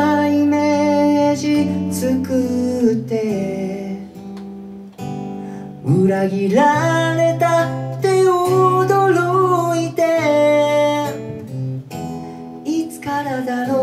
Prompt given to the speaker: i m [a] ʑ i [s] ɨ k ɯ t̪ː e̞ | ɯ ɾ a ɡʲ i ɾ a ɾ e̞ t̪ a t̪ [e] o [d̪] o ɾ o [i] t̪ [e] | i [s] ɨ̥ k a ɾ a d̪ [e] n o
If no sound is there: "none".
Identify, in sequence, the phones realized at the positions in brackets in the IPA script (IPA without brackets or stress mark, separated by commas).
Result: e, t͡s, e, d̪, i, e, t͡s, a